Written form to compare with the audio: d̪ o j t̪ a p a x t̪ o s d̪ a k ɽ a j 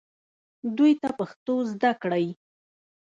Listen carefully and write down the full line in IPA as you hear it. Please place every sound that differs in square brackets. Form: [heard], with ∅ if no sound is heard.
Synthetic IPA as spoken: d̪ [u] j t̪ a p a x t̪ o [z] d̪ a k ɽ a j